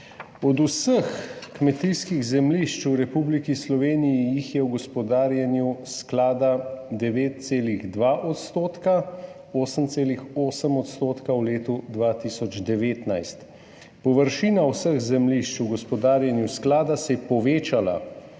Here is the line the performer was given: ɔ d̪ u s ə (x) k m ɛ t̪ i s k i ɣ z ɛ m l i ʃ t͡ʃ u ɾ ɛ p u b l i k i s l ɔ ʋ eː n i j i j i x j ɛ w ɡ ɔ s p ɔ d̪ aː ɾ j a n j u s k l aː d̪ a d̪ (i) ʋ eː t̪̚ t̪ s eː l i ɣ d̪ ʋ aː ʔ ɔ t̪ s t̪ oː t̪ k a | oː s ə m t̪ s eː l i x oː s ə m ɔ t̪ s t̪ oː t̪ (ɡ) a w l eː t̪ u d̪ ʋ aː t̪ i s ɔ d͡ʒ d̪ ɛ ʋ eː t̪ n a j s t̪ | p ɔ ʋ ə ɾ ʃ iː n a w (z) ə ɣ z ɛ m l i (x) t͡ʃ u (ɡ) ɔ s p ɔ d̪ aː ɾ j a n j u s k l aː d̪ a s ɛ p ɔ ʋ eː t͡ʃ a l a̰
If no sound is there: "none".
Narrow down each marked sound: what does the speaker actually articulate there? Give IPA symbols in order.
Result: x, ɛ, k, s, ʃ, ɡ

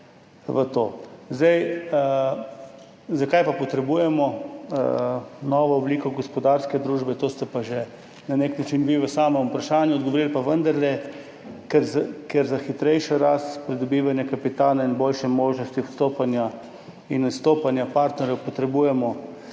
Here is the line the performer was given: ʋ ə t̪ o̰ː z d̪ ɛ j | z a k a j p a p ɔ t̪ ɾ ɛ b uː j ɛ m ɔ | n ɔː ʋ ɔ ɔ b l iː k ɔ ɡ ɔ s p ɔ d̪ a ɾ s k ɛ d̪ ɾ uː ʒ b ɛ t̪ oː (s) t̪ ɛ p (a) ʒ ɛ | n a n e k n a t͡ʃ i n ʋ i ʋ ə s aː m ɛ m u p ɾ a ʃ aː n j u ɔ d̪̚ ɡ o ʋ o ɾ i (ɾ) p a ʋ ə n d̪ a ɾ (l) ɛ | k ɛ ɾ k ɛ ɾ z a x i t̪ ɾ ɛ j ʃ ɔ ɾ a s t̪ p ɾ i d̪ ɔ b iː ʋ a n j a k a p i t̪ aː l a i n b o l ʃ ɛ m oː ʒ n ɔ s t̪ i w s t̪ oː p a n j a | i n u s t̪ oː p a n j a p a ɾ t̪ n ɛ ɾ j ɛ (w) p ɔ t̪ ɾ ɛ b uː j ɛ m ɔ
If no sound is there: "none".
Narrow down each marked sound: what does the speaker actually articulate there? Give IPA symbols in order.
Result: s, a, l, l, w

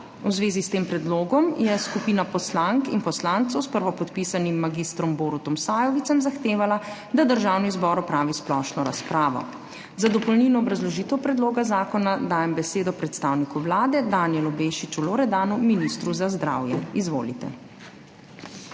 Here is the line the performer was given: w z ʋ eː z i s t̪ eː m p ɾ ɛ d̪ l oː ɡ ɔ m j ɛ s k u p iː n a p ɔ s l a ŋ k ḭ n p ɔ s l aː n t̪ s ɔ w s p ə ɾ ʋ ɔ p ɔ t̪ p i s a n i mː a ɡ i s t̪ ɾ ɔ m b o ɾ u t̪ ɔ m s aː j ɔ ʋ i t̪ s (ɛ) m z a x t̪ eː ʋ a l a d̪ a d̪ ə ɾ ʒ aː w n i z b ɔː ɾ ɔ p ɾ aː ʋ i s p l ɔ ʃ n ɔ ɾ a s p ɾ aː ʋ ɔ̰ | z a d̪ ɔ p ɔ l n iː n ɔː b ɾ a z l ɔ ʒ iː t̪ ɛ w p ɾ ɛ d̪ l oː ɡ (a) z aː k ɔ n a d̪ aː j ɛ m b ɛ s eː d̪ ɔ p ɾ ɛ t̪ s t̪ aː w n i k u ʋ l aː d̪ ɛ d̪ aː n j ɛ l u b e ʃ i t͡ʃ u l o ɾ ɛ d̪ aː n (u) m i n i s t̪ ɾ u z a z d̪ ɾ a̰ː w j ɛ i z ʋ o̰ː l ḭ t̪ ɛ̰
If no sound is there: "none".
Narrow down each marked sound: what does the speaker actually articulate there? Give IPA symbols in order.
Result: ɛ, a, u

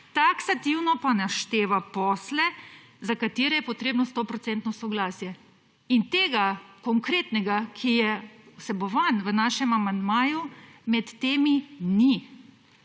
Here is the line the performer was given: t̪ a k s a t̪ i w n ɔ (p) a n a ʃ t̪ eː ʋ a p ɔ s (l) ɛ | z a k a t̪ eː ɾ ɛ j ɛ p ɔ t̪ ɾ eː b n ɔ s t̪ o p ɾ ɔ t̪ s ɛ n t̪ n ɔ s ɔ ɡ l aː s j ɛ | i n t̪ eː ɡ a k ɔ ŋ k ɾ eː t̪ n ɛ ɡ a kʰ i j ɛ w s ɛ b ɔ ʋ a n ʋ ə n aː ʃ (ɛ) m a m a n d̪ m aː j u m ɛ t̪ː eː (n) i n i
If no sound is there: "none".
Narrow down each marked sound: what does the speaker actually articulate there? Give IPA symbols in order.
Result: p, l, ɛ, m

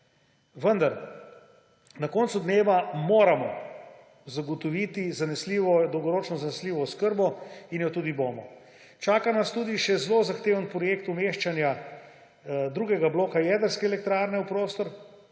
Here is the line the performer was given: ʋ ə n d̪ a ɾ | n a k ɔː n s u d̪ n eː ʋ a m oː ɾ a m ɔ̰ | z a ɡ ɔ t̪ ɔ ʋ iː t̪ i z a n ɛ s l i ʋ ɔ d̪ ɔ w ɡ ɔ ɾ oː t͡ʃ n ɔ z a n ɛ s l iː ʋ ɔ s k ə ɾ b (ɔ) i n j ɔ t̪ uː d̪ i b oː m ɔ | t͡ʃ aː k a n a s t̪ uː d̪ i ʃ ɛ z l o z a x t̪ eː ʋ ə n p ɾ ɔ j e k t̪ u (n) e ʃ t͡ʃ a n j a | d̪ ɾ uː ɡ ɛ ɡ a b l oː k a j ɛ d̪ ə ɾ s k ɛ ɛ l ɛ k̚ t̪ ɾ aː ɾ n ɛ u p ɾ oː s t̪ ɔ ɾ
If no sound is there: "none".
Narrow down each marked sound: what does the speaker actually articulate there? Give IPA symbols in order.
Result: ɔ, m

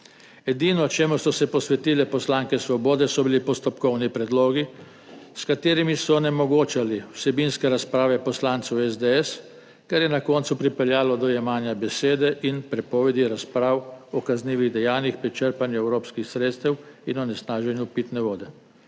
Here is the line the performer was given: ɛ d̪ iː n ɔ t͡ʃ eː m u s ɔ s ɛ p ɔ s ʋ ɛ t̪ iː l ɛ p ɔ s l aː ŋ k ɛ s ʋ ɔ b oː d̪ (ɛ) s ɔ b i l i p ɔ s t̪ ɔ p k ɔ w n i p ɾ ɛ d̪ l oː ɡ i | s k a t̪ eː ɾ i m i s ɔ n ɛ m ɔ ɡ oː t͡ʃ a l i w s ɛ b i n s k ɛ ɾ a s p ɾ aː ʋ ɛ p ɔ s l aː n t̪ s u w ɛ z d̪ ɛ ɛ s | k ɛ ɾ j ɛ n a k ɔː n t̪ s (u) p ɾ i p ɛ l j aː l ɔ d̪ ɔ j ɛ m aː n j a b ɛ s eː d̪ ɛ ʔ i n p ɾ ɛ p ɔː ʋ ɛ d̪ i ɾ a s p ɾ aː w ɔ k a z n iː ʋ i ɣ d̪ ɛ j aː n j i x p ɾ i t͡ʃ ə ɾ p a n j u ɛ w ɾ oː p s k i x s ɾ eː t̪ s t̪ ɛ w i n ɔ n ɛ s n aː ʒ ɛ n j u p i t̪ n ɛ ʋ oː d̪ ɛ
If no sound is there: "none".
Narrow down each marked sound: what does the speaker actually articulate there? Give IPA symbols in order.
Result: ɛ, u

